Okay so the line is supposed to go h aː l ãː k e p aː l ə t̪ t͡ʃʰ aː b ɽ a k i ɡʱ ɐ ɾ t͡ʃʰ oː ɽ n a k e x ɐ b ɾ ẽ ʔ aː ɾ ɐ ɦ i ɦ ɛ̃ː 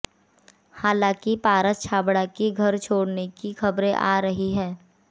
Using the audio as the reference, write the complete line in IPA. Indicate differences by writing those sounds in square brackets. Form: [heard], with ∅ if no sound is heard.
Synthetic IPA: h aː l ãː k [i] p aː [ɾ] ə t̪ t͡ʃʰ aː b ɽ a k i ɡʱ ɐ ɾ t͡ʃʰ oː ɽ n [e] k [i] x ɐ b ɾ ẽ ʔ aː ɾ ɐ ɦ i ɦ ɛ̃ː